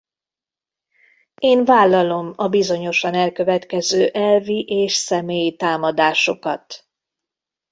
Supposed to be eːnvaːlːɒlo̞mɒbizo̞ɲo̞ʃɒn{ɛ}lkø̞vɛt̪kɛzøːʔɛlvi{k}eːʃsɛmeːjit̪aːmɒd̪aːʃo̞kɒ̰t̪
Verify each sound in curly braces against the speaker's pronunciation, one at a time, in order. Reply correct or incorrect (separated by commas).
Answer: correct, incorrect